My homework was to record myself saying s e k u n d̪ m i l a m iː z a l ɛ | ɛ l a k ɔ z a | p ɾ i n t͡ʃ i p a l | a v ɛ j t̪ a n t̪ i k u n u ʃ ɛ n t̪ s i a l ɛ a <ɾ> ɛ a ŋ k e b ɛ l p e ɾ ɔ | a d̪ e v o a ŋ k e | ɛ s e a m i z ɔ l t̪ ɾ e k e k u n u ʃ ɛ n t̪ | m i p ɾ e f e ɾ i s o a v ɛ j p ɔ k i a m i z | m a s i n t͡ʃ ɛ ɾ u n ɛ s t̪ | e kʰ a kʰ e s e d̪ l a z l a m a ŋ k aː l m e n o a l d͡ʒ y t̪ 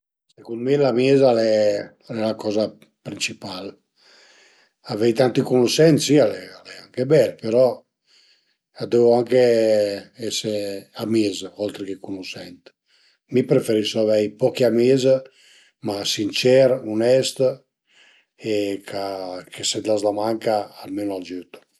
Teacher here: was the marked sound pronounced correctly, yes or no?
no